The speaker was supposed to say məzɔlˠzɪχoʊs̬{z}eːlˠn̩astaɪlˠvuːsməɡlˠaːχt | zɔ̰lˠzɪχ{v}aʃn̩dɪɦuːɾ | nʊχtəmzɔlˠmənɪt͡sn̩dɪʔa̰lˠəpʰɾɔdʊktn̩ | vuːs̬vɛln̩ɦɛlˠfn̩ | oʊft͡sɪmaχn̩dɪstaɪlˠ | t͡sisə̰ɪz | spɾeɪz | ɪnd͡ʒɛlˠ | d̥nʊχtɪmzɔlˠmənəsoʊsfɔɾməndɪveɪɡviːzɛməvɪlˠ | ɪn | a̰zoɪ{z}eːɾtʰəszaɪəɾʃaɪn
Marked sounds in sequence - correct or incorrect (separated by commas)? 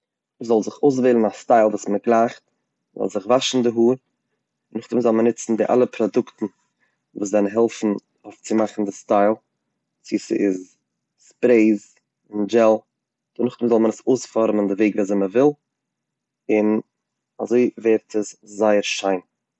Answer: incorrect, correct, incorrect